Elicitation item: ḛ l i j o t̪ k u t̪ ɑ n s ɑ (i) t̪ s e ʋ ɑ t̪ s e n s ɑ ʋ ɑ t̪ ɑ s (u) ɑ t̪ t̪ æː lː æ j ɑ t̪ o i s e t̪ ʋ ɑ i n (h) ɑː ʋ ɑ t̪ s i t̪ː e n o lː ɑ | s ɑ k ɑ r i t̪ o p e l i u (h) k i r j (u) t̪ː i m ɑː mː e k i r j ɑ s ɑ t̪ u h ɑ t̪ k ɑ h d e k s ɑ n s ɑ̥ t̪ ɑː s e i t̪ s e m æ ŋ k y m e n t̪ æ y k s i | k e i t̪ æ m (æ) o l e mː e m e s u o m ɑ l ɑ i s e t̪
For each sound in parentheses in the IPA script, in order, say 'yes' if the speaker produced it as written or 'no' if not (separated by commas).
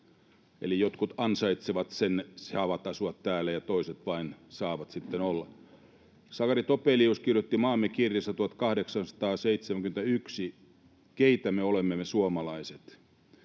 yes, yes, no, no, no, no